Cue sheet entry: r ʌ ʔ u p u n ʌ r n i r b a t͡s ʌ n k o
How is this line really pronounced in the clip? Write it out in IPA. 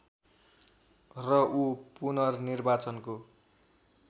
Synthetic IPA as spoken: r ʌ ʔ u p u n ʌ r n i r b a t͡s ʌ n k o